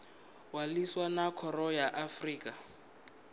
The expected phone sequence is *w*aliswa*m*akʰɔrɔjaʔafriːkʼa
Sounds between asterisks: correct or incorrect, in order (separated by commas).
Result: correct, incorrect